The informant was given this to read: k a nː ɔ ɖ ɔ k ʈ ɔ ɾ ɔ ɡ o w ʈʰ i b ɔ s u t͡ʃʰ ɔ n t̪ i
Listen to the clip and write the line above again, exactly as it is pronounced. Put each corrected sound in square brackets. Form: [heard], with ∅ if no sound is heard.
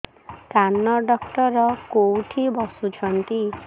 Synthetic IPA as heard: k a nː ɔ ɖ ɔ k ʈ ɔ ɾ ɔ [k] o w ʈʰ i b ɔ s u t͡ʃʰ ɔ n t̪ i